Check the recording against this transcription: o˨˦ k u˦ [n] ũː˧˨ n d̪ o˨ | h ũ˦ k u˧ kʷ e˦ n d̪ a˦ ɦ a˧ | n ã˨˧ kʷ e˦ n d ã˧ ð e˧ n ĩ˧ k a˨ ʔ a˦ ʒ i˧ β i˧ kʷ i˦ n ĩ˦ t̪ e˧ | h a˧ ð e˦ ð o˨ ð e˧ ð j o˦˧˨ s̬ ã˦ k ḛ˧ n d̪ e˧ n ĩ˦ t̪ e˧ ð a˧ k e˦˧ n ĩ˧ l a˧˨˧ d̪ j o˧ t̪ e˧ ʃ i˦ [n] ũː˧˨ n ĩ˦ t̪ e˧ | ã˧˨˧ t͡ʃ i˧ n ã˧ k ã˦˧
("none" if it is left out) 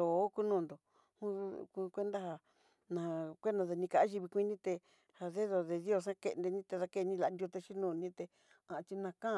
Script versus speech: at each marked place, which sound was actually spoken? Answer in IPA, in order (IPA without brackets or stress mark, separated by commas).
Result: n, n